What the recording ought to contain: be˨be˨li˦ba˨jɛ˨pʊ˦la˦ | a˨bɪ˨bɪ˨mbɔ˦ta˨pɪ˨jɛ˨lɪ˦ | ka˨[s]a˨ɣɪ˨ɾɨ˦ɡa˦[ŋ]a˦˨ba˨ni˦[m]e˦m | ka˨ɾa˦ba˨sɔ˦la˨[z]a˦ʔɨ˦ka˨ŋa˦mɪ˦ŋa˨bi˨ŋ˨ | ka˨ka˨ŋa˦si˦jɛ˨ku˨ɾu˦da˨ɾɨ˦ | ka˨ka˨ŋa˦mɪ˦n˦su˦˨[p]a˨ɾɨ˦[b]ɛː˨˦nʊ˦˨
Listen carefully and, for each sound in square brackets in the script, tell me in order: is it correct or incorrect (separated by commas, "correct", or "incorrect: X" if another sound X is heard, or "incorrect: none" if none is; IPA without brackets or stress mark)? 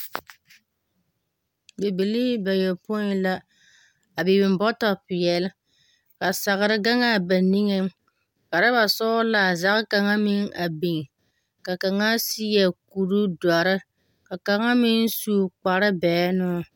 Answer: correct, correct, incorrect: ŋ, correct, incorrect: k͡p, correct